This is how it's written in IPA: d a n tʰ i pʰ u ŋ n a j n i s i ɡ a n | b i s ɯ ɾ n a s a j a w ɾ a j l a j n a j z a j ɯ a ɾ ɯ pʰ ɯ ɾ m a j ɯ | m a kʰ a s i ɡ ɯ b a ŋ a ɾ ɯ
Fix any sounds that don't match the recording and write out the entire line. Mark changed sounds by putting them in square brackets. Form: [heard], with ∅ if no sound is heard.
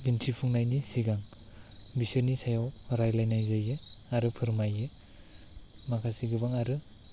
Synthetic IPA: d [i] n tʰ i pʰ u ŋ n a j n i s i ɡ a [ŋ] | b i s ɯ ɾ n [i] s a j a w ɾ a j l a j n a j z a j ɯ a ɾ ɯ pʰ ɯ ɾ m a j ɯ | m a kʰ a s i ɡ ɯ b a ŋ a ɾ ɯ